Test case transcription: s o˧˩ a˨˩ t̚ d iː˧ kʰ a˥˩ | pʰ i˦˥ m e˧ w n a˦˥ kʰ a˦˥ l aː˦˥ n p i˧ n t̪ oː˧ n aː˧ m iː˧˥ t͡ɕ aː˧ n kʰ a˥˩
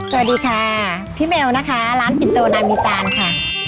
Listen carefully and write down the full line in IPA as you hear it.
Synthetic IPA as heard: s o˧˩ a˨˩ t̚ d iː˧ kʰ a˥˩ | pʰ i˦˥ m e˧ w n a˦˥ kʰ a˦˥ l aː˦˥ n p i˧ n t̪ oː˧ n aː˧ m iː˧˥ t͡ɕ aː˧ n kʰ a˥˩